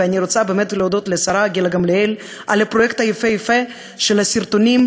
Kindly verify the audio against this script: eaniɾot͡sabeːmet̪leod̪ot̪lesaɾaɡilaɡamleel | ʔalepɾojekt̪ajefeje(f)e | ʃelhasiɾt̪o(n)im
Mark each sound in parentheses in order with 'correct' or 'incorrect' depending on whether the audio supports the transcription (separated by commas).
correct, correct